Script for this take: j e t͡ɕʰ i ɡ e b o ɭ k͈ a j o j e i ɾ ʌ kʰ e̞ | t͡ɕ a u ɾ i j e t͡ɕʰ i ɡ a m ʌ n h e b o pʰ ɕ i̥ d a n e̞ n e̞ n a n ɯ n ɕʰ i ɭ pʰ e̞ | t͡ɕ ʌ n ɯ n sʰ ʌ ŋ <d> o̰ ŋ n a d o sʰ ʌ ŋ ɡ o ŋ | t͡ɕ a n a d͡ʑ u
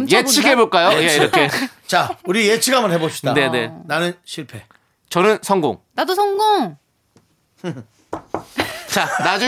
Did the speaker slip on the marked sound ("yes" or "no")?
yes